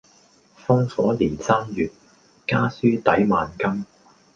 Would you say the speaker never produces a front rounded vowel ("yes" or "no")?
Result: no